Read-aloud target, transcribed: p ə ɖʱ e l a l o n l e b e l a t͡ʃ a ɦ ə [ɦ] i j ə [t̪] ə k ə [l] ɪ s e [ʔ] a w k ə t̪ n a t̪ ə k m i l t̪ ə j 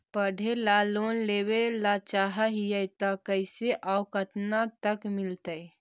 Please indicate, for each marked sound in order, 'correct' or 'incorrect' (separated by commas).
correct, correct, incorrect, correct